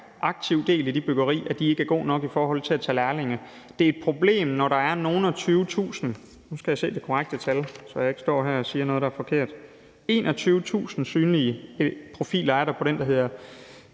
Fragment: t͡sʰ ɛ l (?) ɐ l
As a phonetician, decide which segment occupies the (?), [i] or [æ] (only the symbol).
æ